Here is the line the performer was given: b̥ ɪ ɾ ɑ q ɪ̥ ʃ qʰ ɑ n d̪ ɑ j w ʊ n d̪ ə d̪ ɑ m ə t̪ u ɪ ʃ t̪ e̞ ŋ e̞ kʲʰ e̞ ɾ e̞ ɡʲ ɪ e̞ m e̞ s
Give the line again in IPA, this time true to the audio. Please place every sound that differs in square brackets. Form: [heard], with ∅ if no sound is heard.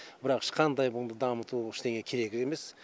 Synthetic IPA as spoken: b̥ ɪ ɾ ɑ q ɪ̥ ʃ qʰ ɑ n d̪ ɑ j [b] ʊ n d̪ ə d̪ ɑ m ə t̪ u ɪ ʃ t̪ e̞ ŋ e̞ kʲʰ e̞ ɾ e̞ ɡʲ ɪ e̞ m e̞ s